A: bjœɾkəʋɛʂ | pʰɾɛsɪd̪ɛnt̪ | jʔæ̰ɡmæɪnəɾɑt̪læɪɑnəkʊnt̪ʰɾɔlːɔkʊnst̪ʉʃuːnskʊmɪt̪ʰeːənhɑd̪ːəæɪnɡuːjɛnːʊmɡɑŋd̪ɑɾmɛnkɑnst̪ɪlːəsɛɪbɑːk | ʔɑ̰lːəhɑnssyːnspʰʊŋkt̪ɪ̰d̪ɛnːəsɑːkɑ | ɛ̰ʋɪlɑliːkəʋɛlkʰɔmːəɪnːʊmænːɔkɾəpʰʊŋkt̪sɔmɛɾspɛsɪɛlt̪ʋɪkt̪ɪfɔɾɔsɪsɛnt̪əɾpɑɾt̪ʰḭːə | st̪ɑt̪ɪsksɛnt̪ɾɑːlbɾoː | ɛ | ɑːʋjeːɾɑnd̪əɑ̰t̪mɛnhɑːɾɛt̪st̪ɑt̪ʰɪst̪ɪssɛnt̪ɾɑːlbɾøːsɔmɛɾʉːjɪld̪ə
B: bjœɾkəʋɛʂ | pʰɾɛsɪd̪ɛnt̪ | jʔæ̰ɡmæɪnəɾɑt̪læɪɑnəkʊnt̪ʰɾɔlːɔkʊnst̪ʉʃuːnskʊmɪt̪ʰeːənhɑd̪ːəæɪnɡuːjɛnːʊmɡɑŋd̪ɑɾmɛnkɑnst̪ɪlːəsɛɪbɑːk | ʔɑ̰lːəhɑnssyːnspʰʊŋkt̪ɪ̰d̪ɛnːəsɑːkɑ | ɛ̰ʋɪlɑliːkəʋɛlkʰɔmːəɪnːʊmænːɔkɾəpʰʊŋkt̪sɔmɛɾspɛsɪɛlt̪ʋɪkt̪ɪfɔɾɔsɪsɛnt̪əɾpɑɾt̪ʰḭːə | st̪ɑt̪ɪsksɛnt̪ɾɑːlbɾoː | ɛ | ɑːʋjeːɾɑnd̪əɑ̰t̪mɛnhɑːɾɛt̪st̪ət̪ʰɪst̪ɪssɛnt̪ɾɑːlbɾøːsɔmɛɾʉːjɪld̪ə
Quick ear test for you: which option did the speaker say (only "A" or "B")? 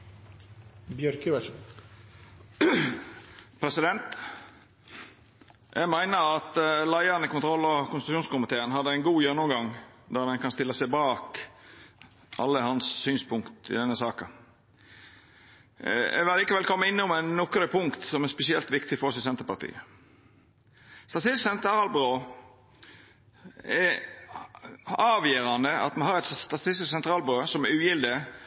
A